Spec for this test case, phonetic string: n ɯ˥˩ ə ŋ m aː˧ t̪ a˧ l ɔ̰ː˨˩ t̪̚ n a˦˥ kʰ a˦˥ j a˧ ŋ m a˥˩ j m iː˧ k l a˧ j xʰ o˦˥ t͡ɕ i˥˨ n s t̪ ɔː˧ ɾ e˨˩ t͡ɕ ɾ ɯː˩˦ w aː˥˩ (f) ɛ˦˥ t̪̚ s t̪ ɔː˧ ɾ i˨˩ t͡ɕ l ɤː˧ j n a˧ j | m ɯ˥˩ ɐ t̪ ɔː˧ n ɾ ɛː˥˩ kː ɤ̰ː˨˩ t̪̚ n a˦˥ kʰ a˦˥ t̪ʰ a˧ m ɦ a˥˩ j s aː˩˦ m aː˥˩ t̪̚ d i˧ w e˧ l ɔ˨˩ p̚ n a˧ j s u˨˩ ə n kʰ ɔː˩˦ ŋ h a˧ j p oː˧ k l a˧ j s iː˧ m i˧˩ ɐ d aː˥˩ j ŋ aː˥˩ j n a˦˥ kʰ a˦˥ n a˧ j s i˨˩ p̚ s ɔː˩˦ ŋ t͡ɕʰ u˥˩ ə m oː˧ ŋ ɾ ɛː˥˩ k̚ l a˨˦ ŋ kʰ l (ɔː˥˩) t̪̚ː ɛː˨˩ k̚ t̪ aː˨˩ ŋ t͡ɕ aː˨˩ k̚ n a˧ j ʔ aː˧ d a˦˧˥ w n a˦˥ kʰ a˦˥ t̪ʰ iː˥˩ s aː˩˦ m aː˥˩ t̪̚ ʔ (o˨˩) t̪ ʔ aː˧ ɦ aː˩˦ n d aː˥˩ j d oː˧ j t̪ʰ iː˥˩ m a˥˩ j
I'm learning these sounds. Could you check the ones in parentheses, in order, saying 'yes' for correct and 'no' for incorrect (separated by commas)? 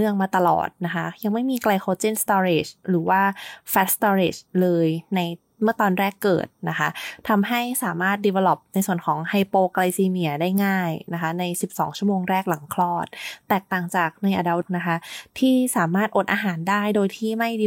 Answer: yes, yes, yes